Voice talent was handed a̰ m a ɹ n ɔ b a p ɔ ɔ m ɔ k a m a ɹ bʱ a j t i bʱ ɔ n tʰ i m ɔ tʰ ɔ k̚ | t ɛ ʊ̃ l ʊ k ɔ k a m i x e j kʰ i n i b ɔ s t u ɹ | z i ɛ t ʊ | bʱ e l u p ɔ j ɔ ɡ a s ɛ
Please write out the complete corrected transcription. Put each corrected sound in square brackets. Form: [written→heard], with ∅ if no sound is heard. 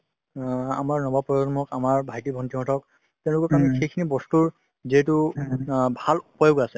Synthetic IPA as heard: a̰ m a ɹ n ɔ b a p ɔ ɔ m ɔ k a m a ɹ bʱ a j t i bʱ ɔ n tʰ i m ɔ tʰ ɔ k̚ | t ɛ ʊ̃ l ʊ k ɔ k a m i x e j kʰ i n i b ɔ s t u ɹ | z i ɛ t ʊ | bʱ [e→a] l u p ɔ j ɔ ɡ a s ɛ